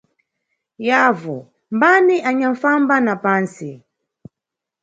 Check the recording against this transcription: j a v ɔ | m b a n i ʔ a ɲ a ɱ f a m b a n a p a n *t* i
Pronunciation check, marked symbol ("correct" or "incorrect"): incorrect